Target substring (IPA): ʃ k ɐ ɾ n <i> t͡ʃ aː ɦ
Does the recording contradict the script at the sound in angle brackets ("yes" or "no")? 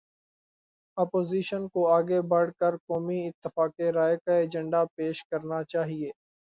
yes